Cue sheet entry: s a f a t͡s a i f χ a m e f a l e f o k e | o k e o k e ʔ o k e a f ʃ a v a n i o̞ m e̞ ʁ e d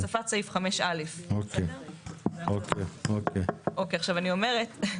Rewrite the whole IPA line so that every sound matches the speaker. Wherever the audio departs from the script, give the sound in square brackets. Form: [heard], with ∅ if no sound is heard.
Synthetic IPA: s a f a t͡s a i f χ a m e [ʃ] a l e f o k e | o k e o k e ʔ o k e a [χ] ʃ a v a n i o̞ m e̞ ʁ e [t]